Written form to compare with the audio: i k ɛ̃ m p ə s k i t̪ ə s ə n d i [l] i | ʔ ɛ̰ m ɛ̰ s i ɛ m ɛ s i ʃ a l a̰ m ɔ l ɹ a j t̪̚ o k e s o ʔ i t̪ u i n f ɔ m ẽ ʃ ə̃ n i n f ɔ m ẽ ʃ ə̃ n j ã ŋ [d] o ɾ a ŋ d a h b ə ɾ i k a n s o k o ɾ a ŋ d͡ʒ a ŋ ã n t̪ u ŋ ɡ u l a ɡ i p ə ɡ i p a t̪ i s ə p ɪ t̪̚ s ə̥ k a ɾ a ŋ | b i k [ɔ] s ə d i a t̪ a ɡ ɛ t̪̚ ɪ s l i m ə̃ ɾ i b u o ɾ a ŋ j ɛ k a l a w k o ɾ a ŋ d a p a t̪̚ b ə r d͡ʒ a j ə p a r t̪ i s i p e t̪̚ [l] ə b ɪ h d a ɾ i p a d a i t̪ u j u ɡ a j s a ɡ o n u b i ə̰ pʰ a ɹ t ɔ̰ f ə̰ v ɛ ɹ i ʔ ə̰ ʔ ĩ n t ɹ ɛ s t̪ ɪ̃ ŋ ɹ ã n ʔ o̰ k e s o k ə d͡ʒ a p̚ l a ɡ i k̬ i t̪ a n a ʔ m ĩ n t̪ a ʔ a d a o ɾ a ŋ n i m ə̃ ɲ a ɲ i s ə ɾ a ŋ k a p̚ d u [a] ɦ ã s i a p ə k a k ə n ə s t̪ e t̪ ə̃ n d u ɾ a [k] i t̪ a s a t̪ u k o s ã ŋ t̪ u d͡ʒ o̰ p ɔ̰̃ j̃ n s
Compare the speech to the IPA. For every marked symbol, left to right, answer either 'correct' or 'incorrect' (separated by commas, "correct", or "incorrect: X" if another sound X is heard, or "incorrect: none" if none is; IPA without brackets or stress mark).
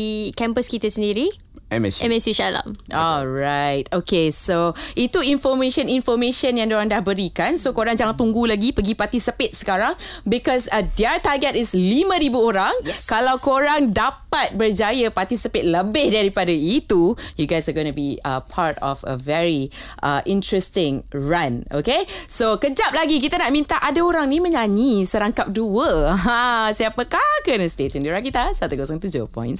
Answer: incorrect: ɾ, correct, correct, correct, incorrect: ə, correct